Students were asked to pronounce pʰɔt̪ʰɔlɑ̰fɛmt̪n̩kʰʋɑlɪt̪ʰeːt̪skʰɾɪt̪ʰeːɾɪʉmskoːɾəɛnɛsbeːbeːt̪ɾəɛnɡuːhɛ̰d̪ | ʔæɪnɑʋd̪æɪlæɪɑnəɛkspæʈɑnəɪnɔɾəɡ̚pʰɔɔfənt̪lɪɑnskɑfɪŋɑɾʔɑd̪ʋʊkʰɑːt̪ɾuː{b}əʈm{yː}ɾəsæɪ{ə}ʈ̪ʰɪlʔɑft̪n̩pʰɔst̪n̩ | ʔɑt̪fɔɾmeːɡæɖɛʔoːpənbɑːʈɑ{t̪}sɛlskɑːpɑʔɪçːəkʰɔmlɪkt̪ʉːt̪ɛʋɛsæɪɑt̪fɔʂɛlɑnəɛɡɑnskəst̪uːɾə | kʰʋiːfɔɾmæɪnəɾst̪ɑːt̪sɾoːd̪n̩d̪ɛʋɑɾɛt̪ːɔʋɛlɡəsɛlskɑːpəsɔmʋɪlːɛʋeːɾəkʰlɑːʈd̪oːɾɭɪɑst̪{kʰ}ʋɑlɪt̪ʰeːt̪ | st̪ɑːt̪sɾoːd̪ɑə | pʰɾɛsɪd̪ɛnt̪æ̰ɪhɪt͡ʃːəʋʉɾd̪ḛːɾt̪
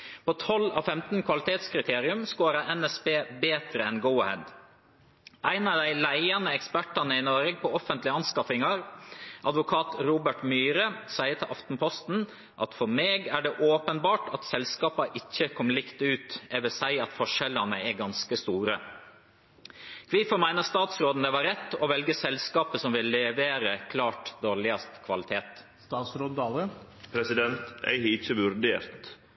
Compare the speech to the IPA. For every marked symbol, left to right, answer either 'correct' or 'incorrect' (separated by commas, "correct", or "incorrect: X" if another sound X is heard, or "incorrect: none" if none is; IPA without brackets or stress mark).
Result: correct, correct, correct, correct, correct